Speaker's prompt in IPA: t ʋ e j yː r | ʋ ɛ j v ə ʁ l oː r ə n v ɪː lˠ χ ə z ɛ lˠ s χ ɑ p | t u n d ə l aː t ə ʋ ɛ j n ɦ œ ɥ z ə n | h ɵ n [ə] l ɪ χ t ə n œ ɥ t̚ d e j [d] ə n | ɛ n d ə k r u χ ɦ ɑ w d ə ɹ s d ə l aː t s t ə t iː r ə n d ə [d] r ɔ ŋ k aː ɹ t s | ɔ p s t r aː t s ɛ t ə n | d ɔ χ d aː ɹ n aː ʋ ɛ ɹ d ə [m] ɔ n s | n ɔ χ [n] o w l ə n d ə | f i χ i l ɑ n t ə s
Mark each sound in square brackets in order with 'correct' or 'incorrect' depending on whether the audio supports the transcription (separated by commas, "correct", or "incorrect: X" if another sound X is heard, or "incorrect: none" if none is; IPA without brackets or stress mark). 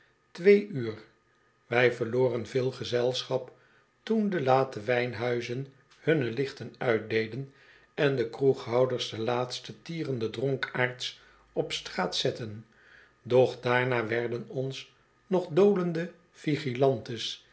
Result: correct, correct, correct, incorrect: n, incorrect: d